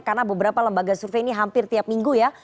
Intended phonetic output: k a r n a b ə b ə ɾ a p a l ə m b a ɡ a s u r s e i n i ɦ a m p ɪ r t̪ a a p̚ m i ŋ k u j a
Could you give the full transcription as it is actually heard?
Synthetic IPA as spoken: k a r n a b ə b ə ɾ a p a l ə m b a ɡ a s u r f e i n i ɦ a m p ɪ r t̪ i a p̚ m i ŋ ɡ u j a